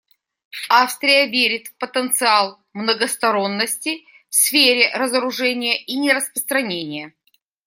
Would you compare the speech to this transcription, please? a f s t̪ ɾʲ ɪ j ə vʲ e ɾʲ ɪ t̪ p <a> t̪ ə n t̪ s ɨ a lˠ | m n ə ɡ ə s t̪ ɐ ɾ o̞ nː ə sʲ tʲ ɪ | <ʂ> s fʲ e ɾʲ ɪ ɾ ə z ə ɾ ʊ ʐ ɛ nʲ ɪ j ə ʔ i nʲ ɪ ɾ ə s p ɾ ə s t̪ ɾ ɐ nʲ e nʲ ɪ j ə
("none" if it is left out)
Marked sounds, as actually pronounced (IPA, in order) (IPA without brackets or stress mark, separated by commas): ə, f